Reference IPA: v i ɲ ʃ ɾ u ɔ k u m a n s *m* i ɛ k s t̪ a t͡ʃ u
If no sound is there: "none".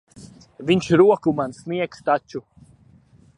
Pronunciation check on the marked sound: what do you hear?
n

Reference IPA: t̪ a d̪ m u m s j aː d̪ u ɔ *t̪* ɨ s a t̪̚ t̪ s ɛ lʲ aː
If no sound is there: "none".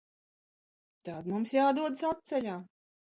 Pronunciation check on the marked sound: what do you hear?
d̪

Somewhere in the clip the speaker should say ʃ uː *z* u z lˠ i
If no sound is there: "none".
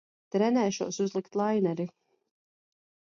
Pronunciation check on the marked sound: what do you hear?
s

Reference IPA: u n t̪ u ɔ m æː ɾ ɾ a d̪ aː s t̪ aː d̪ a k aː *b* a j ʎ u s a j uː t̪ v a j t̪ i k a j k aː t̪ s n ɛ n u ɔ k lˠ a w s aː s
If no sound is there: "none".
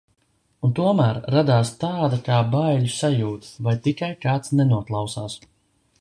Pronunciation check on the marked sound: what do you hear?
b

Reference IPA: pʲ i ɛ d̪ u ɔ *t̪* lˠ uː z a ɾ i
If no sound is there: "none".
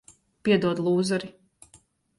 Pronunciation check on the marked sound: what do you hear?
d̪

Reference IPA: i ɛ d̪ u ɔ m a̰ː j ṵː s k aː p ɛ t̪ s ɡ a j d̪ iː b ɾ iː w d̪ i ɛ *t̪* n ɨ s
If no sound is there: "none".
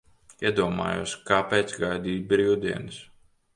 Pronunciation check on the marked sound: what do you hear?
none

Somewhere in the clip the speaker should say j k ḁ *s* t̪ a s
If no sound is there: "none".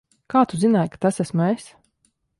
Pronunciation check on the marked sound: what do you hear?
none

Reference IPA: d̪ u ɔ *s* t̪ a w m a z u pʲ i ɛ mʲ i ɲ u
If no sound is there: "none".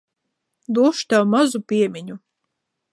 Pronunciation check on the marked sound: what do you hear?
ʃ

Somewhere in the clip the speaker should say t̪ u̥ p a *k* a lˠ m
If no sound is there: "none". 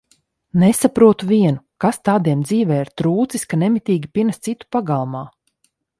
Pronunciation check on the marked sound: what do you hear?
ɡ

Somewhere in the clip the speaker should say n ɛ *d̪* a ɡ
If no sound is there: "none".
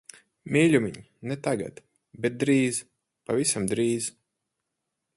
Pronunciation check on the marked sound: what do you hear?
t̪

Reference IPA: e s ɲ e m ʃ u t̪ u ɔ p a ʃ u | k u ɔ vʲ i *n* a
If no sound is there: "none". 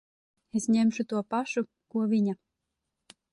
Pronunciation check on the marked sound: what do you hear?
ɲ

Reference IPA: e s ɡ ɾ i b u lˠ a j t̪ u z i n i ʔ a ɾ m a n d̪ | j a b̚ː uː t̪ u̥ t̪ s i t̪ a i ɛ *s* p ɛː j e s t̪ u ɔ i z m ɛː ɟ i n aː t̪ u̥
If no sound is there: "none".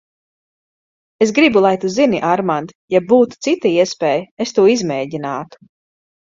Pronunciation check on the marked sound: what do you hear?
s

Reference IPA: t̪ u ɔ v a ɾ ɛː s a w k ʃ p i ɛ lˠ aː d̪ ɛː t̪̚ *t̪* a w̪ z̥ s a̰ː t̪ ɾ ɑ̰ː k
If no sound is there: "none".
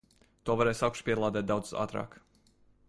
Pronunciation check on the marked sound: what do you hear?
d̪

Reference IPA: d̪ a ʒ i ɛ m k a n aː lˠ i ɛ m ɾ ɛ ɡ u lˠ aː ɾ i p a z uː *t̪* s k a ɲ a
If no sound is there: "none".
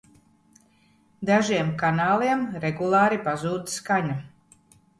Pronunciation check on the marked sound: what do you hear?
d̪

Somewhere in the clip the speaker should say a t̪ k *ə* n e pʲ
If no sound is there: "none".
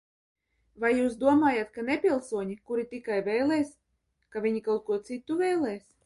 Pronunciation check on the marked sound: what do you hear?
a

